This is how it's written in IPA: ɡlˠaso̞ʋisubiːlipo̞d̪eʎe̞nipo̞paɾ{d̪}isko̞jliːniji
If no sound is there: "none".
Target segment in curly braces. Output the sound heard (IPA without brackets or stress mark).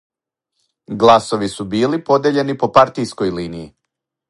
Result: t̪